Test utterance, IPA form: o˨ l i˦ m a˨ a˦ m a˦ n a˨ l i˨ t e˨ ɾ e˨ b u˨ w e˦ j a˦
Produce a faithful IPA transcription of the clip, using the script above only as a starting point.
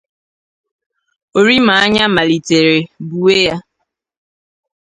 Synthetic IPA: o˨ ɾ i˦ m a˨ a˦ ɲ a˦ m a˨ l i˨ t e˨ ɾ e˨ b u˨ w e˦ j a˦